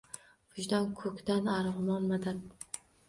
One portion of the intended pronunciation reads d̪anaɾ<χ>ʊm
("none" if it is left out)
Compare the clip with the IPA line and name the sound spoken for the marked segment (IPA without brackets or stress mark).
ʁ